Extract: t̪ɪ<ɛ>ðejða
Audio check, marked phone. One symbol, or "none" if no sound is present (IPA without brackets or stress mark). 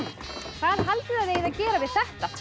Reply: a